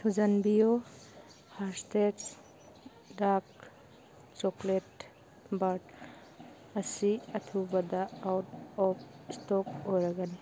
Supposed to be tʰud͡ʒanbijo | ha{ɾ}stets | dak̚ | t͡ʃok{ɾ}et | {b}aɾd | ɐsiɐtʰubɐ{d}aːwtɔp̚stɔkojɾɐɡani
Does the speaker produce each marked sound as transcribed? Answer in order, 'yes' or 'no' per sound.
yes, no, yes, yes

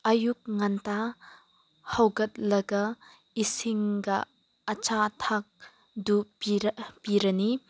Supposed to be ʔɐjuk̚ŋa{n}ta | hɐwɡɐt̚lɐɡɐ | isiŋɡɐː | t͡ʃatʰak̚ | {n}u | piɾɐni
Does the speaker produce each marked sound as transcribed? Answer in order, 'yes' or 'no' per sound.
yes, no

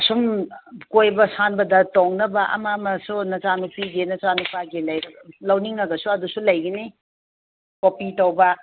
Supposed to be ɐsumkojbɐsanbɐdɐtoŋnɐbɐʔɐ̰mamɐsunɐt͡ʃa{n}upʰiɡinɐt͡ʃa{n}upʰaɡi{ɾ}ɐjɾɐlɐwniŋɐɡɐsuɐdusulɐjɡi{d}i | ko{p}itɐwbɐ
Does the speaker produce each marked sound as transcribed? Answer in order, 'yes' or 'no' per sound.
yes, yes, no, no, yes

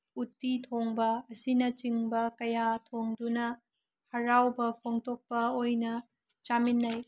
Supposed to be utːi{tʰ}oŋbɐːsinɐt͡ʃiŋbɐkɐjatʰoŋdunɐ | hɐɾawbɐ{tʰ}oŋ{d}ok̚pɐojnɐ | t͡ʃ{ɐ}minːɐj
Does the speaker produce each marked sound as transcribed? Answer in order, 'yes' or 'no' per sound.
yes, no, no, no

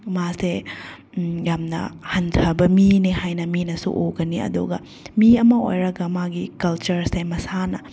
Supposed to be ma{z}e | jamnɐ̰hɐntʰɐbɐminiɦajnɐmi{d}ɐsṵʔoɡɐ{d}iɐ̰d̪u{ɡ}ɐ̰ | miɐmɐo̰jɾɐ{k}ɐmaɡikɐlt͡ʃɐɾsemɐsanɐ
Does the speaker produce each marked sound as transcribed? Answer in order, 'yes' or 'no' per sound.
no, no, no, yes, no

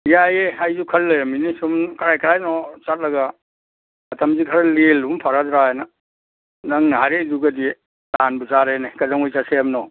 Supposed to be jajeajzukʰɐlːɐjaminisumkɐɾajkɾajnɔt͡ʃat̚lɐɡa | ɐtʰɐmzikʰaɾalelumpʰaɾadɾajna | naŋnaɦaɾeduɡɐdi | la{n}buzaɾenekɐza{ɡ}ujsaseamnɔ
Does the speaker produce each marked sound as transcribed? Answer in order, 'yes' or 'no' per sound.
yes, no

